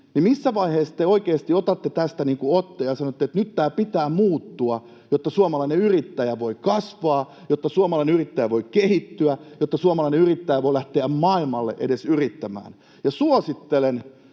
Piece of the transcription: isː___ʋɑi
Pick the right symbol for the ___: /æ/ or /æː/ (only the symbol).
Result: æ